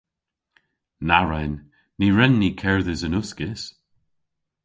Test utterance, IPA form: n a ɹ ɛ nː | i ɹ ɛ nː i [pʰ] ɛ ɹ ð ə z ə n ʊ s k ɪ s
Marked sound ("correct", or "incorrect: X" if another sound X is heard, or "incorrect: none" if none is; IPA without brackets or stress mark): incorrect: kʰ